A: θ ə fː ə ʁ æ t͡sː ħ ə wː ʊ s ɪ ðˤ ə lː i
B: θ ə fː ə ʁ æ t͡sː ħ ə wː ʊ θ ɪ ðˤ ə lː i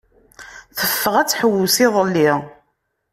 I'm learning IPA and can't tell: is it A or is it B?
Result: A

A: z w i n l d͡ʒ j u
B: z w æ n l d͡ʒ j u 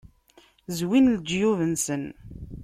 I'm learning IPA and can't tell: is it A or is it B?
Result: A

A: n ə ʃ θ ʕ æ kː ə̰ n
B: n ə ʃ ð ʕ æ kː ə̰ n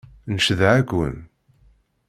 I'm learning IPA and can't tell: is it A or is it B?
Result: B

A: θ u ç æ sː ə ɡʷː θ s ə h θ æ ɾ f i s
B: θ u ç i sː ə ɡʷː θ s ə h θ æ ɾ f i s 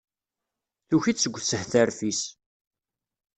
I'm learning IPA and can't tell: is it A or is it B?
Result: B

